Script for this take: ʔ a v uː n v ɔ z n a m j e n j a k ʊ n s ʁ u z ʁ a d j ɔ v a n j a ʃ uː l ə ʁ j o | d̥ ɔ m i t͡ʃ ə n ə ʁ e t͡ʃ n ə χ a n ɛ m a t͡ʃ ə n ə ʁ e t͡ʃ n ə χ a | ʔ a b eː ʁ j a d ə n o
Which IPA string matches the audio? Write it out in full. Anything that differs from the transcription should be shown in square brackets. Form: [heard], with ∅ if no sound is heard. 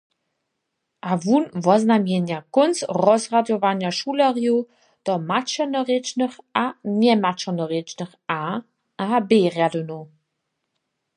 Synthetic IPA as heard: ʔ a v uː n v ɔ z n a m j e n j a k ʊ n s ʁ [ɔ] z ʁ a d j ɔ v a n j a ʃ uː l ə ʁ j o | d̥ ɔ m [a] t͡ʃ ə n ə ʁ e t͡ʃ n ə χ a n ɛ m a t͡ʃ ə n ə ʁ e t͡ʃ n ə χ a | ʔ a b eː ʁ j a d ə n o